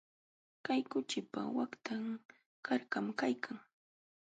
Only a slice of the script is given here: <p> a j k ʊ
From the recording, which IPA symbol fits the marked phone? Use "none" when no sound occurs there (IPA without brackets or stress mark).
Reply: k